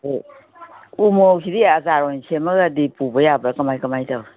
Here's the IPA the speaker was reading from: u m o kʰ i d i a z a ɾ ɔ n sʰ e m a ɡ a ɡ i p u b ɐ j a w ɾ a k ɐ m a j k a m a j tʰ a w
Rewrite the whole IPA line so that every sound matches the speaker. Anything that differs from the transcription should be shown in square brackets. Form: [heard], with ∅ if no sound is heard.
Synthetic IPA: u m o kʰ i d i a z a ɾ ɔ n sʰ e m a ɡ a [d] i p u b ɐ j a [b] ɾ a k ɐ m a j k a m a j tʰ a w